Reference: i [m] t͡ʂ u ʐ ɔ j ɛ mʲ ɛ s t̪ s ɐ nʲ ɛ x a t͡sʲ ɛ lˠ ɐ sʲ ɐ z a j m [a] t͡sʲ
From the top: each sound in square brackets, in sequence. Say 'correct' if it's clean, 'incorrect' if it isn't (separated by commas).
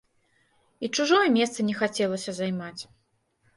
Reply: incorrect, correct